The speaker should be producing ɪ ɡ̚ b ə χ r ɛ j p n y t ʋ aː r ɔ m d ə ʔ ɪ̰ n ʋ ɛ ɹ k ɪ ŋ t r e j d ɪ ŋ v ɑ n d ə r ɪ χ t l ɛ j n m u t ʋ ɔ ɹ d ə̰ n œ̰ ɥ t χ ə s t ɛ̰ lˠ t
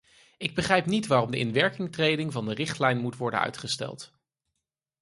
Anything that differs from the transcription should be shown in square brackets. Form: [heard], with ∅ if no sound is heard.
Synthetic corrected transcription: ɪ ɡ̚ b ə χ r ɛ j p n [i] t ʋ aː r ɔ m d ə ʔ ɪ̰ n ʋ ɛ ɹ k ɪ ŋ t r e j d ɪ ŋ v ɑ n d ə r ɪ χ t l ɛ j n m u t ʋ ɔ ɹ d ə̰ n œ̰ ɥ t χ ə s t ɛ̰ lˠ t

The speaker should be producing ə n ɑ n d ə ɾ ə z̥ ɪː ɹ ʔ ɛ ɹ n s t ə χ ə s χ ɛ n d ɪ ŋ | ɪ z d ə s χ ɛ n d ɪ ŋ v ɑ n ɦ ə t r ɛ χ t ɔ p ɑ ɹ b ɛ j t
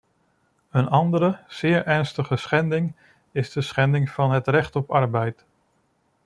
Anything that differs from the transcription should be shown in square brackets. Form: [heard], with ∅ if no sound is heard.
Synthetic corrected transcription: ə n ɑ n d ə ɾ ə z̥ ɪː ɹ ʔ ɛ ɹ n s t ə χ ə s χ ɛ n d ɪ ŋ | ɪ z d ə s χ ɛ n d ɪ ŋ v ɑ n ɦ ə t r ɛ χ t ɔ p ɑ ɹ b ɛ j t

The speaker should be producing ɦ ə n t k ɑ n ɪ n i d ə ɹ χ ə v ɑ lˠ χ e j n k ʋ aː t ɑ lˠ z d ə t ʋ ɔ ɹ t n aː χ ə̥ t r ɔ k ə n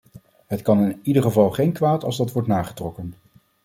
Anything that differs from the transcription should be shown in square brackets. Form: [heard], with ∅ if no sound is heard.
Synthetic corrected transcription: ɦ ə [∅] t k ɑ n ɪ n i d ə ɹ χ ə v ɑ lˠ χ e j n k ʋ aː t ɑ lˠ z d [ɑ] t ʋ ɔ ɹ t n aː χ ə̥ t r ɔ k ə n

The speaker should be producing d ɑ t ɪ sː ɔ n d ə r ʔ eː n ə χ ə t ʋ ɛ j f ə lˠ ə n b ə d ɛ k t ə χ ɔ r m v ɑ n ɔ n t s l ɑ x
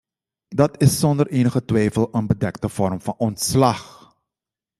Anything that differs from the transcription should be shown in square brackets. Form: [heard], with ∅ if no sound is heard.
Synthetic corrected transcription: d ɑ t ɪ sː ɔ n d ə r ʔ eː n ə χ ə t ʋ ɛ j f ə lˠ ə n b ə d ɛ k t ə [f] ɔ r m [f] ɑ n ɔ n t s l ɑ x

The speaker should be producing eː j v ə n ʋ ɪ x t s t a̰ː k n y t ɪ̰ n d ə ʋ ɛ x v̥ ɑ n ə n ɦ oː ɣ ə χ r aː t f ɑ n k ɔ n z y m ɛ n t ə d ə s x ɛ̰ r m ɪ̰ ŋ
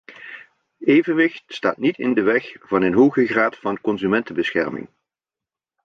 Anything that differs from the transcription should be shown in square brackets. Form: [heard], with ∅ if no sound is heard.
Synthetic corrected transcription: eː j v ə n ʋ ɪ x t s t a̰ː [t] n [i] t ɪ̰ n d ə ʋ ɛ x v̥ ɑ n ə n ɦ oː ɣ ə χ r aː t f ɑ n k ɔ n z y m ɛ n t ə [b] ə s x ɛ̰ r m ɪ̰ ŋ

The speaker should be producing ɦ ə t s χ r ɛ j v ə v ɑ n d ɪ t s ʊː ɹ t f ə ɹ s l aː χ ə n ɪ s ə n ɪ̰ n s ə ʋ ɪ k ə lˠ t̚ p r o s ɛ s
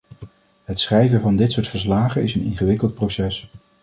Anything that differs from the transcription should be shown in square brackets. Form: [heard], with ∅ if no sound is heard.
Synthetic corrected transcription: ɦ ə t s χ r ɛ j v ə v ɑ n d ɪ t s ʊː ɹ t f ə ɹ s l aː χ ə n ɪ s ə n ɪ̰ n [χ] ə ʋ ɪ k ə lˠ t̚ p r o s ɛ s

